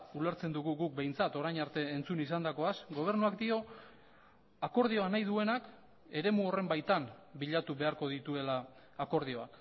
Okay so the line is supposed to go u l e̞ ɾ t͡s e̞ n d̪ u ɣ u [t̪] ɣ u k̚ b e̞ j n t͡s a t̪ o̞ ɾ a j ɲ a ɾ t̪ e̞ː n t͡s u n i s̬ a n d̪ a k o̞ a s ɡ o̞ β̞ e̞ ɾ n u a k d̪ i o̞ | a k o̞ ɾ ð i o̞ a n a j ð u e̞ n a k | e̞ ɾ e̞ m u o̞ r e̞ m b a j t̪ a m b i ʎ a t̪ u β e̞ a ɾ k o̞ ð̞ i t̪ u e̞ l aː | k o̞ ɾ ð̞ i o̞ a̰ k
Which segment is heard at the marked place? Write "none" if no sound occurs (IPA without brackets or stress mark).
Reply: none